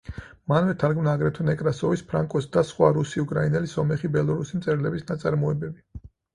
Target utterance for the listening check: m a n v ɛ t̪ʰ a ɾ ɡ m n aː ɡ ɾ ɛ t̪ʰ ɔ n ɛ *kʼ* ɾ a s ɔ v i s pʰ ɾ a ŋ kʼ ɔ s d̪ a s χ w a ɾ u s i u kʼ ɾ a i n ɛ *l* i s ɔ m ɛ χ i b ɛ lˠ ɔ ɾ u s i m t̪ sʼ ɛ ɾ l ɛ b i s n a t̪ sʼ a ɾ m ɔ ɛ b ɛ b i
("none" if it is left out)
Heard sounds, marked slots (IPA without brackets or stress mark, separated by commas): kʼ, l